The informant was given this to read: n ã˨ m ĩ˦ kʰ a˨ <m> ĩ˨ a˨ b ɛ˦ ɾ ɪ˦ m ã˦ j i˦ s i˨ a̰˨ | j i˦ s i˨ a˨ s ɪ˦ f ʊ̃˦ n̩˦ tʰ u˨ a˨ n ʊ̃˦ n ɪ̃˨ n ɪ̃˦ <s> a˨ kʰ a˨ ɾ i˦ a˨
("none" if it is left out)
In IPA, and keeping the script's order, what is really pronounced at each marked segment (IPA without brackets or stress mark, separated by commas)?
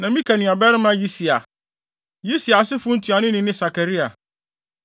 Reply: n, s